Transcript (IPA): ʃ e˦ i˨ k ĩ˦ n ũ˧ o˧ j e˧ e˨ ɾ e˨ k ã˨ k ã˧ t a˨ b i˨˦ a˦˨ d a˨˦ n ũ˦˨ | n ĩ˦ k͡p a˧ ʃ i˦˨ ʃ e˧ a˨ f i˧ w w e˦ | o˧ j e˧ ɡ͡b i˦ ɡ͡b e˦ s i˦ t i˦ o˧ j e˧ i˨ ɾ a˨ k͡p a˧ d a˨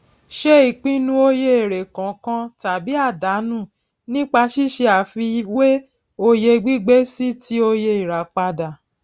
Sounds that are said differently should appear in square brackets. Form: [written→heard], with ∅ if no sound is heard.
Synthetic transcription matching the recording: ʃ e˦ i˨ [k→k͡p] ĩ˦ n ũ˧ o˧ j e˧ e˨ ɾ e˨ k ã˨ k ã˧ t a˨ b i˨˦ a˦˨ d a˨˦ n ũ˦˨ | n ĩ˦ k͡p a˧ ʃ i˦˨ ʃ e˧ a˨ f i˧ w w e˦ | o˧ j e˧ ɡ͡b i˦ ɡ͡b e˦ s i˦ t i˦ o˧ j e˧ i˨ ɾ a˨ k͡p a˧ d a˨